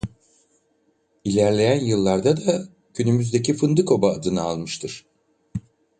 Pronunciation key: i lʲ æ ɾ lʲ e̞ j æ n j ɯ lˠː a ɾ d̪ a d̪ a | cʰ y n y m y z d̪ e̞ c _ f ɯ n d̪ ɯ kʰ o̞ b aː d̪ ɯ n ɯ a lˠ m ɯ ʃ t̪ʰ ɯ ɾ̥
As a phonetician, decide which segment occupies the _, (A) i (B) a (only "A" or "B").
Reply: A